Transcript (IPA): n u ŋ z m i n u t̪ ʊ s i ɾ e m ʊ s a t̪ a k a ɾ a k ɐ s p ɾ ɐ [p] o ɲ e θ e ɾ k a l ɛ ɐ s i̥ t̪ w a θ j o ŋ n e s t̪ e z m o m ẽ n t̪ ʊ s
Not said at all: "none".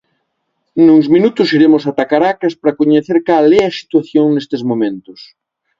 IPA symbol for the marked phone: k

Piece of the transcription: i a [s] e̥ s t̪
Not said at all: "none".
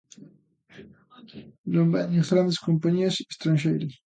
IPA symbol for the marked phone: s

